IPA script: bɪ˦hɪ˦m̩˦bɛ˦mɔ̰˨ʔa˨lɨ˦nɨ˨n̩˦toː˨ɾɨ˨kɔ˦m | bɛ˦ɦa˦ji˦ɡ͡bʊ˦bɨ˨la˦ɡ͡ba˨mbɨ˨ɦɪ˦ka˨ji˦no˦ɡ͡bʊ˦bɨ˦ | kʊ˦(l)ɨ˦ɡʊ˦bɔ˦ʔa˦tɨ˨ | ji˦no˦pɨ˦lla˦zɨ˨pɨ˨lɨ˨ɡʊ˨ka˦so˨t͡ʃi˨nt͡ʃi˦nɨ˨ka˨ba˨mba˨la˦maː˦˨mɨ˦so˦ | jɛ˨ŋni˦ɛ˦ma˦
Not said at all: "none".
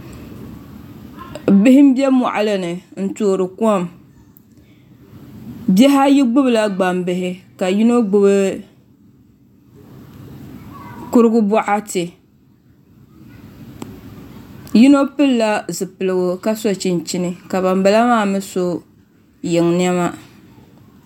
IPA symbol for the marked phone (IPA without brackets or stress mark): ɾ